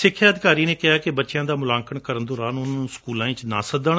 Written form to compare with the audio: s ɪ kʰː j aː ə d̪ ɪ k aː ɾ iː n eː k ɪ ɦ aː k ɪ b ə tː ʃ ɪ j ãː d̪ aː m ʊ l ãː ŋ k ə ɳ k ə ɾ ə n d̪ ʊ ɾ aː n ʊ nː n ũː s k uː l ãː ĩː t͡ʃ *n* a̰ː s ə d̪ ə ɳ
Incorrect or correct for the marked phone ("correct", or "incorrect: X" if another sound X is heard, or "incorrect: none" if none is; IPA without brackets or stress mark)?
correct